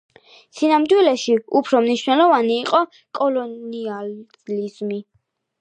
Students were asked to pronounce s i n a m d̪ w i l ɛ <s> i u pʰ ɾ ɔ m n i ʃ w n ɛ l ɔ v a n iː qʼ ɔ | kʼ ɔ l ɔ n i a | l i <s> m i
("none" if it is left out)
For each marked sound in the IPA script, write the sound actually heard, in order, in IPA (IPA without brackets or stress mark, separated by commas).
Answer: ʃ, z